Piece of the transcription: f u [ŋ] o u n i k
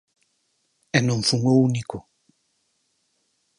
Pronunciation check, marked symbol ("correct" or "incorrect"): correct